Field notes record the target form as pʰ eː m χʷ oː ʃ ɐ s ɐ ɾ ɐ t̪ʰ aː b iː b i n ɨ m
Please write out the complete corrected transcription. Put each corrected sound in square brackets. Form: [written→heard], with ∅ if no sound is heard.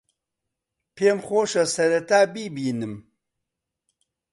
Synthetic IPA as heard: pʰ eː m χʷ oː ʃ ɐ s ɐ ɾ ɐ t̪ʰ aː b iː b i n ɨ m